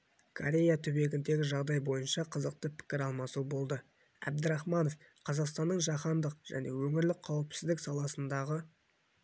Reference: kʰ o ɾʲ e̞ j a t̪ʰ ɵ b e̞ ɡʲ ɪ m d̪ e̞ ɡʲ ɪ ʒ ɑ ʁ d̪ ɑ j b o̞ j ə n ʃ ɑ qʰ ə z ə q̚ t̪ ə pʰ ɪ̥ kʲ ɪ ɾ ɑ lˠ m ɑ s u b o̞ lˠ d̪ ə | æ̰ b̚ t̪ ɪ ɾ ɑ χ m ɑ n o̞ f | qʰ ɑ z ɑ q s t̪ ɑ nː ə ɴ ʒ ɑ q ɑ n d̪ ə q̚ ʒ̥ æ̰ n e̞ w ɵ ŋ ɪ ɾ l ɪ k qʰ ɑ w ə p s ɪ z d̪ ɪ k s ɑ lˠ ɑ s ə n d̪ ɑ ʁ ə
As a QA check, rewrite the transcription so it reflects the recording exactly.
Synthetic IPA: kʰ o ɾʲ e̞ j a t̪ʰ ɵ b e̞ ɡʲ ɪ n d̪ e̞ ɡʲ ɪ ʒ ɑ ʁ d̪ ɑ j b o̞ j ə n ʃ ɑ qʰ ə z ə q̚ t̪ ə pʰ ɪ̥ kʲ ɪ ɾ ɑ lˠ m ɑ s u b o̞ lˠ d̪ ə | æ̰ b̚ d̪ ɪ ɾ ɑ χ m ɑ n o̞ f | qʰ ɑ z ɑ q s t̪ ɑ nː ə ɴ ʒ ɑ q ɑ n d̪ ə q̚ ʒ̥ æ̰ n e̞ w ɵ ŋ ɪ ɾ l ɪ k qʰ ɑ w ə p s ɪ z d̪ ɪ k s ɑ lˠ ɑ s ə n d̪ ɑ ʁ ə